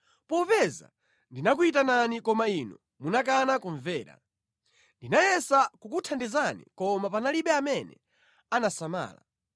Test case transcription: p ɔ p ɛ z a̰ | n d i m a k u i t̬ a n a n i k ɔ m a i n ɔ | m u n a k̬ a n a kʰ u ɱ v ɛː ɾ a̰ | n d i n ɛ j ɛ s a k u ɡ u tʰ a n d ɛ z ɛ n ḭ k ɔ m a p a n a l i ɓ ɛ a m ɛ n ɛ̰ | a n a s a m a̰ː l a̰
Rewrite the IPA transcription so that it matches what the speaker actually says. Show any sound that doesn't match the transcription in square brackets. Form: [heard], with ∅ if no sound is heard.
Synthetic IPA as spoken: p ɔ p ɛ z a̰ | n d i [n] a k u i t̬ a n a n i k ɔ m a i n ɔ | m u n a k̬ a n a [k] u ɱ v ɛː ɾ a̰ | n d i n [a] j ɛ s a k u [k] u tʰ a n d ɛ z [a] n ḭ k ɔ m a p a n a l i ɓ ɛ a m ɛ n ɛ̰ | a n a s a m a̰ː l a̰